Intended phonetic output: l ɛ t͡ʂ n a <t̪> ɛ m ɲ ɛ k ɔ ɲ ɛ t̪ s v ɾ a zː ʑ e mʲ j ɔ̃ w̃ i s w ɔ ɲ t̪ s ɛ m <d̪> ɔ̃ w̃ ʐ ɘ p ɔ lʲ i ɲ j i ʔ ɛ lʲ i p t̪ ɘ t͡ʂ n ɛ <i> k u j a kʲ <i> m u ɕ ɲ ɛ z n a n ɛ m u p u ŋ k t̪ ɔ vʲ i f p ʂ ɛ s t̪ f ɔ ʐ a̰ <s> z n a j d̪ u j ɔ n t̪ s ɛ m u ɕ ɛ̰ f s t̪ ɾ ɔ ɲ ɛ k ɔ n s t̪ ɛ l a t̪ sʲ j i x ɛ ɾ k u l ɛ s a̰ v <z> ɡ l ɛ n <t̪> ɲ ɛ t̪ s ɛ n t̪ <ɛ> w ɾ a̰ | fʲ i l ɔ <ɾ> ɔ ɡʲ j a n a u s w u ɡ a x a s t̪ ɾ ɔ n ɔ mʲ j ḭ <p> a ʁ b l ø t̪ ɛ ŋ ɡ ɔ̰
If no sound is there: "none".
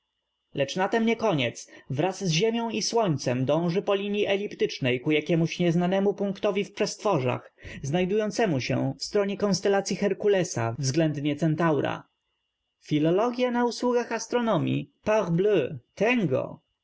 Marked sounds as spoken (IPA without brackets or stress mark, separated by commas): t̪, d̪, j, ɛ, x, z, d̪, a, l, p